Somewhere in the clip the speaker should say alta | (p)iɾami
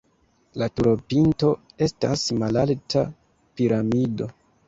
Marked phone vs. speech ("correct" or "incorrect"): correct